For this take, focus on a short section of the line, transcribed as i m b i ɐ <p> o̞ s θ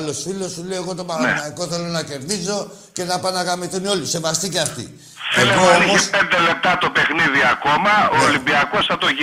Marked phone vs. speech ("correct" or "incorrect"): incorrect